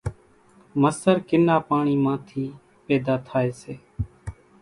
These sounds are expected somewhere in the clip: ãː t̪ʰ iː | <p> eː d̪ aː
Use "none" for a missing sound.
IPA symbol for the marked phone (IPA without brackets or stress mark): p